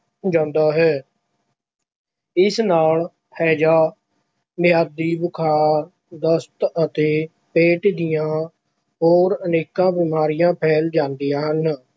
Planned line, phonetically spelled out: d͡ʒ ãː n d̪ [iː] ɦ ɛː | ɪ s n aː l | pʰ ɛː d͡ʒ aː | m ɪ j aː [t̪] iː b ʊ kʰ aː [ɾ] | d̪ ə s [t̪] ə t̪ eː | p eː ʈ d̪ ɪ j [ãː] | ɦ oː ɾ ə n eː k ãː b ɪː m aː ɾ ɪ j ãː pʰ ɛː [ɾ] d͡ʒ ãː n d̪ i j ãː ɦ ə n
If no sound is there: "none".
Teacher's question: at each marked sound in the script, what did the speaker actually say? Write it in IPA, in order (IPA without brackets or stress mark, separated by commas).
aː, d̪, ɾ, t̪, ãː, l